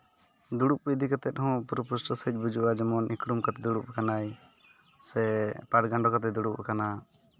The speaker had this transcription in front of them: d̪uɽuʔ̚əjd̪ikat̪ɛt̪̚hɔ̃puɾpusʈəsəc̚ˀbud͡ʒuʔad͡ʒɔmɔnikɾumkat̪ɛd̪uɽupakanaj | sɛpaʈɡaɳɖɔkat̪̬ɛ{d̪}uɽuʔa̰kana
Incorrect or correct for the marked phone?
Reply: correct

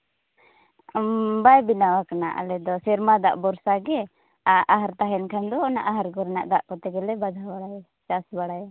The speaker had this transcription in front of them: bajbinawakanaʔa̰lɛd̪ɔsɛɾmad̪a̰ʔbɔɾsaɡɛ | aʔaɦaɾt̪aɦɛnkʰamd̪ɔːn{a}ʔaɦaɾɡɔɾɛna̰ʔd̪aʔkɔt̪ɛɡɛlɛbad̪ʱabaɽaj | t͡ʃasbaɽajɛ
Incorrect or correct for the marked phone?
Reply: correct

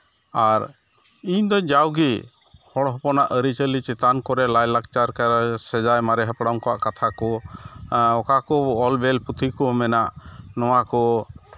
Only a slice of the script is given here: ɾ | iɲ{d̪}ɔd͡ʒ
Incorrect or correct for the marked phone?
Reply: correct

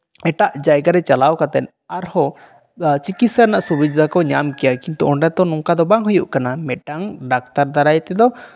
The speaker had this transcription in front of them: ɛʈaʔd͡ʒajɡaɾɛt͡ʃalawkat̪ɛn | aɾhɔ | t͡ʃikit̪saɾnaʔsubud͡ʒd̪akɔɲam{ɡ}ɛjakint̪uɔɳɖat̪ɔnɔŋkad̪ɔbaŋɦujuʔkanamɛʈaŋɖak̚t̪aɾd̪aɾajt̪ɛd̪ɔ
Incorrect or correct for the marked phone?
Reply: incorrect: k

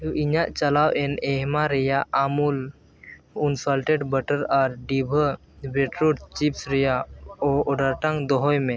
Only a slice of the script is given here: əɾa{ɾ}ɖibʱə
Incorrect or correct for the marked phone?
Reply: correct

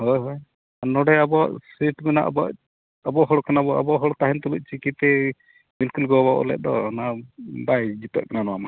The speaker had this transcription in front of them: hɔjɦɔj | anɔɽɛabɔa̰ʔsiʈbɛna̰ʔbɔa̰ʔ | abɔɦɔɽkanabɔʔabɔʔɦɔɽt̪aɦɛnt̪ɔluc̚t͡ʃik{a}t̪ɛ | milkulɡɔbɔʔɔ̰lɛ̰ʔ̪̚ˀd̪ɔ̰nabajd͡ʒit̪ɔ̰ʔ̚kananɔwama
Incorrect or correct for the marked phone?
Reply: incorrect: i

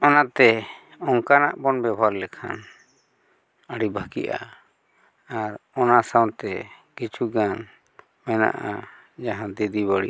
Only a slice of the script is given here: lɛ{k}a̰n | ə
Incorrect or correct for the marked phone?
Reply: incorrect: kʰ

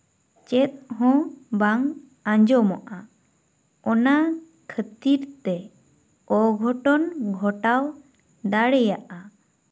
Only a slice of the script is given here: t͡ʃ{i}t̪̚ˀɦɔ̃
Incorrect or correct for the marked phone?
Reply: incorrect: ɛ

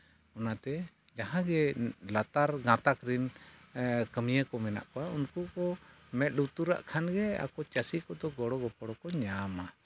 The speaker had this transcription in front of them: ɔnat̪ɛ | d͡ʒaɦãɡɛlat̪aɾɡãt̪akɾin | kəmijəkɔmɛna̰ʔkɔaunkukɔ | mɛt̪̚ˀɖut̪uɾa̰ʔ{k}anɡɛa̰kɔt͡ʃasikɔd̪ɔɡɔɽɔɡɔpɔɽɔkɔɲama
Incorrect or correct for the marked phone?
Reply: incorrect: kʰ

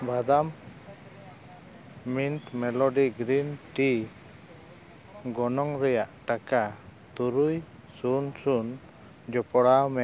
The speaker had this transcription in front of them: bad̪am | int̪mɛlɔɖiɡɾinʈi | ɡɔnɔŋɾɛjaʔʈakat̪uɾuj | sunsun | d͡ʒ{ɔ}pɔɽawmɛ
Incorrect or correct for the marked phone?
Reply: correct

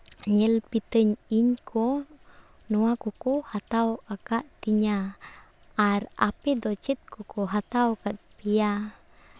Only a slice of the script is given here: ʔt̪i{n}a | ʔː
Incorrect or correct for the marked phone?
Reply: incorrect: ɲ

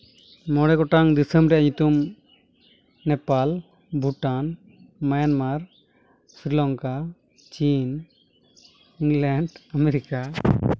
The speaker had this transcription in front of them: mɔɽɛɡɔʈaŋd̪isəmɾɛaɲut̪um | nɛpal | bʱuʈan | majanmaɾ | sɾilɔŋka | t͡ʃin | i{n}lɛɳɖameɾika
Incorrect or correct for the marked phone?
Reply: incorrect: ŋ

